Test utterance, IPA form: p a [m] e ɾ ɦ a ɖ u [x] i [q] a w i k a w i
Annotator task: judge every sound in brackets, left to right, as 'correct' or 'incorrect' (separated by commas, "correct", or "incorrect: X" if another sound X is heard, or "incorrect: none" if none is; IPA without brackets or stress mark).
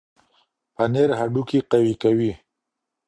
incorrect: n, incorrect: k, correct